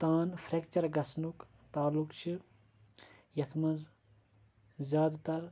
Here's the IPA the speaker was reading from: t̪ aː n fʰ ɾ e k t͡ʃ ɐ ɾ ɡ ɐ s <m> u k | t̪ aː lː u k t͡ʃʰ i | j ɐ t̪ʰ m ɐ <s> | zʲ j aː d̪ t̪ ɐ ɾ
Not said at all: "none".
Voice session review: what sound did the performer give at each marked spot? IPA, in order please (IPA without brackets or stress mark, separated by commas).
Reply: n, z